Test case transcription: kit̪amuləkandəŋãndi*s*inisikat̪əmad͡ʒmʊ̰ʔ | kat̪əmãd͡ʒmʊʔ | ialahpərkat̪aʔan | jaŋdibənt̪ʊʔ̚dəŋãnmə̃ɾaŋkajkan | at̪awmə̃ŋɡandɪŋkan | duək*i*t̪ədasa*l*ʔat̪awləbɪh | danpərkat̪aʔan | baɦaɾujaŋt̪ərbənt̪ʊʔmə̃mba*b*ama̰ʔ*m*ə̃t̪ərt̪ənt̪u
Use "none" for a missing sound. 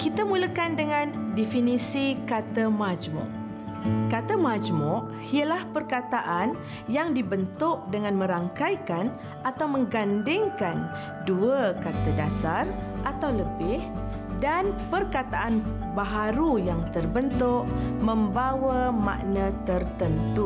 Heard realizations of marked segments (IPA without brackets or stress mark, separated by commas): f, a, r, w, n